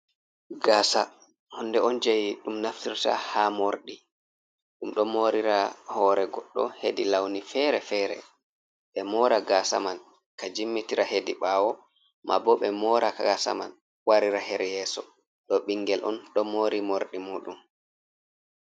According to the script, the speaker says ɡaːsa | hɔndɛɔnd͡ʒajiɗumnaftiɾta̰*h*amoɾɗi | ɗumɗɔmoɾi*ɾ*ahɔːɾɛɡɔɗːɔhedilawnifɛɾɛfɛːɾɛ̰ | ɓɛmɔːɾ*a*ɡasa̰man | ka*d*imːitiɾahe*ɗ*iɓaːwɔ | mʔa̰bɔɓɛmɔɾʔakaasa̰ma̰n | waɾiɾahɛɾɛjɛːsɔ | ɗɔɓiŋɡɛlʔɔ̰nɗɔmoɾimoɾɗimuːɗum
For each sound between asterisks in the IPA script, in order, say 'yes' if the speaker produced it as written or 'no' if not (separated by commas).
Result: yes, yes, yes, no, no